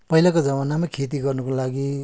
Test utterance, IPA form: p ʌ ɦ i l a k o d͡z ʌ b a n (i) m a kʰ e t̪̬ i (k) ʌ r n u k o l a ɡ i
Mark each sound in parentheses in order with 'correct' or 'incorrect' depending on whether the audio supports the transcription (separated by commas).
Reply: incorrect, incorrect